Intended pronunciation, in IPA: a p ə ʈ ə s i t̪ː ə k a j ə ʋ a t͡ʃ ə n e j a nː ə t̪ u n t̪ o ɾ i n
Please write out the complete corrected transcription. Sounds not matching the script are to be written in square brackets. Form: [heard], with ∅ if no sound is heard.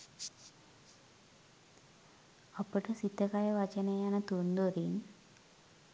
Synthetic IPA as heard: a p ə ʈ ə s i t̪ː ə k a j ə ʋ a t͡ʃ ə n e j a [n] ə t̪ u n [d̪] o ɾ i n